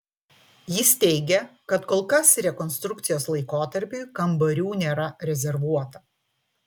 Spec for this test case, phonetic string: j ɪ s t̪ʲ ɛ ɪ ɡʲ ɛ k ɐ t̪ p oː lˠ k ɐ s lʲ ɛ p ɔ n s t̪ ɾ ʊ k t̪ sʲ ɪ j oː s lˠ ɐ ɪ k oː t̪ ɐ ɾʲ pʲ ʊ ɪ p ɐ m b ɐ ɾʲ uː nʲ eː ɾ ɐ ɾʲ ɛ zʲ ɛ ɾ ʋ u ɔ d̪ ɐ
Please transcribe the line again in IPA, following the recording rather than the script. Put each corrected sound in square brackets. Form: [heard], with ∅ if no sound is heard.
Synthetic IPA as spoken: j ɪ s t̪ʲ ɛ ɪ ɡʲ ɛ k ɐ t̪ [k] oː lˠ k ɐ s [ɾʲ] ɛ [k] ɔ n s t̪ ɾ ʊ k t̪ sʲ ɪ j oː s lˠ ɐ ɪ k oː t̪ ɐ ɾʲ pʲ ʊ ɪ [k] ɐ m b ɐ ɾʲ uː nʲ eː ɾ ɐ ɾʲ ɛ zʲ ɛ ɾ ʋ u ɔ [t̪] ɐ